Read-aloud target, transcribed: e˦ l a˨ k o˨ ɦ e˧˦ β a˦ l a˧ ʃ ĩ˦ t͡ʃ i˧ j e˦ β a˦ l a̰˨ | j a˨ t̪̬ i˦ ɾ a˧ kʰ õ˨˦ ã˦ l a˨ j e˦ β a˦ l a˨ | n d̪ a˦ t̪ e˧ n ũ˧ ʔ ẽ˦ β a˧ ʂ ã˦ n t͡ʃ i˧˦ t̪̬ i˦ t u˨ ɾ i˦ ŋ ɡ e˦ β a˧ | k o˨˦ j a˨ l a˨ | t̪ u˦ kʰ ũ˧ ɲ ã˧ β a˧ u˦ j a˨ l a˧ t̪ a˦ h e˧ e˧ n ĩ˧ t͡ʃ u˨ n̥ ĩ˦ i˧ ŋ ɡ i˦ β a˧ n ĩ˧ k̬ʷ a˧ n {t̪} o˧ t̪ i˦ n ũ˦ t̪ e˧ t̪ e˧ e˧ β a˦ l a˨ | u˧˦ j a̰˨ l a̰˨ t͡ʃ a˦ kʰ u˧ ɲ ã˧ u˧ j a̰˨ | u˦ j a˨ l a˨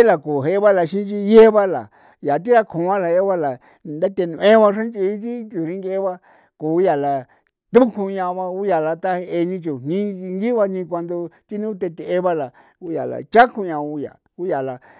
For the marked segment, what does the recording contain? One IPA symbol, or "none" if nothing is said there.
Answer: d̪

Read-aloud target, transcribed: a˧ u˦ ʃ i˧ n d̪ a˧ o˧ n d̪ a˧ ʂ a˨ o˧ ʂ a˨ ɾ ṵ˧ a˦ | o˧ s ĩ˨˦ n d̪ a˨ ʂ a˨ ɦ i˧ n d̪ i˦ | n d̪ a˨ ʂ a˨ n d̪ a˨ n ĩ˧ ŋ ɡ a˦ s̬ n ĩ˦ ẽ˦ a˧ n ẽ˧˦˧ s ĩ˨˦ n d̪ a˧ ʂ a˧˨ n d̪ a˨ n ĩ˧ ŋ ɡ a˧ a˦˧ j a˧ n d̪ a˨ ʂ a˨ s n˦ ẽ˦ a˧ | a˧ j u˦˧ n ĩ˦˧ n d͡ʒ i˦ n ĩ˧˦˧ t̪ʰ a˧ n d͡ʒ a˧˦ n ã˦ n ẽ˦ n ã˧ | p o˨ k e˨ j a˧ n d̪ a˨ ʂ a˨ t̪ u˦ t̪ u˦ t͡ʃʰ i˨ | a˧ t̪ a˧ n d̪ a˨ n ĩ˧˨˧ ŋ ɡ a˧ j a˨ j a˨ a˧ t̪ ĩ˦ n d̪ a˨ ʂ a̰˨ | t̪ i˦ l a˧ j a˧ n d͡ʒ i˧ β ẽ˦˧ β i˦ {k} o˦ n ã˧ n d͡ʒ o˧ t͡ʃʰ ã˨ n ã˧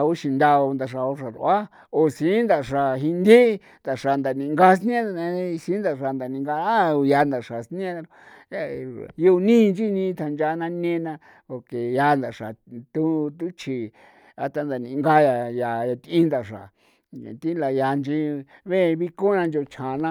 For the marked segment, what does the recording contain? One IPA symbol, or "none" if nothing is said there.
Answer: k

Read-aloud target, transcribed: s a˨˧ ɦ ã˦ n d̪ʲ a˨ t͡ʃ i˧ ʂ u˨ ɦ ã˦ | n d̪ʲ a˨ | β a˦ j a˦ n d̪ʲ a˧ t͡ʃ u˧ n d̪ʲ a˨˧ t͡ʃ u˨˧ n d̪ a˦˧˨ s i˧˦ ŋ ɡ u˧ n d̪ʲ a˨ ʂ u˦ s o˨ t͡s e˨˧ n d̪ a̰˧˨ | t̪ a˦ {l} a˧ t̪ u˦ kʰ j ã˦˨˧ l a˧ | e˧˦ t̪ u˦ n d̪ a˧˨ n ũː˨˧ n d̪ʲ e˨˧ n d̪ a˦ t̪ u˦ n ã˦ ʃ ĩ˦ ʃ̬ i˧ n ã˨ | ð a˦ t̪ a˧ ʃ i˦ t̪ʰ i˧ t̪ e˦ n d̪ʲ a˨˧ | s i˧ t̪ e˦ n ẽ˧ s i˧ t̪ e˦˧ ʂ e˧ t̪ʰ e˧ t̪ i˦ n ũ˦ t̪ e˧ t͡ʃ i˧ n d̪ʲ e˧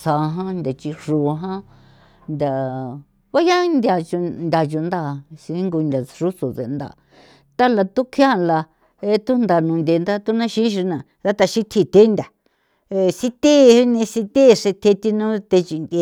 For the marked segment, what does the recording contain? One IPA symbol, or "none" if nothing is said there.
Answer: l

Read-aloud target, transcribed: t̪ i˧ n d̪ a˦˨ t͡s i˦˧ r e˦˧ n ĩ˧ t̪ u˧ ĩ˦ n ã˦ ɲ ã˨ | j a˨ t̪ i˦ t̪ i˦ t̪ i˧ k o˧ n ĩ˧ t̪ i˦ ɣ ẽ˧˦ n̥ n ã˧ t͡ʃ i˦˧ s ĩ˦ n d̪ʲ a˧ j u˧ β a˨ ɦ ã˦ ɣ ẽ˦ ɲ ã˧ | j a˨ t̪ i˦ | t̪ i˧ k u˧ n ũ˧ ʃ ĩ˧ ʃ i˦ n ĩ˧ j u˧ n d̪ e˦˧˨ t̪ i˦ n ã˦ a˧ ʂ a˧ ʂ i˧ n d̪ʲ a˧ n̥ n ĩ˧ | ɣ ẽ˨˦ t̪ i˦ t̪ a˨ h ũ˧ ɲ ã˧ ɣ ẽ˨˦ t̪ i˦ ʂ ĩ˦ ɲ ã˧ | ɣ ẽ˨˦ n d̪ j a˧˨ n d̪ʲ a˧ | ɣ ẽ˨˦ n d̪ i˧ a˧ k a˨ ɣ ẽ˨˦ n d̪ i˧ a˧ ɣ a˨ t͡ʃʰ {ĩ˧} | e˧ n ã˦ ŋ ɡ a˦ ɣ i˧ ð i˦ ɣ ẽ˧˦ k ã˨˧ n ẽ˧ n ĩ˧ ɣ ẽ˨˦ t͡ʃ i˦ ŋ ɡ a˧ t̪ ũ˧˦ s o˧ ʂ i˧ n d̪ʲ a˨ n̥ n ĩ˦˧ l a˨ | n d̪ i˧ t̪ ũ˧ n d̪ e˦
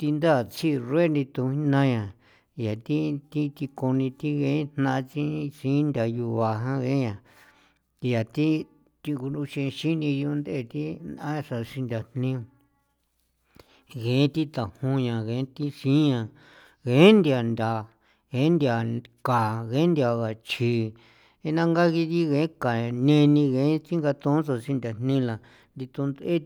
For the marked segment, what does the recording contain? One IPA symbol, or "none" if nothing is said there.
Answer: i˧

